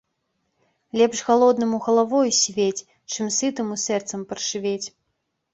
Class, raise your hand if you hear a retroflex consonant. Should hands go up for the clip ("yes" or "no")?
yes